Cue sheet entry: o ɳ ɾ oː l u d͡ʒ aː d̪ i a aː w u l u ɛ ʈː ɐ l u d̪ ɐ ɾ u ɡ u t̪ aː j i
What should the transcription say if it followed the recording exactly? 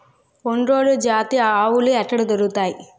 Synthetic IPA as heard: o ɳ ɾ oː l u d͡ʒ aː t̪ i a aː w u l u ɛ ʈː ɐ ɽ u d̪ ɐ ɾ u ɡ u t̪ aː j i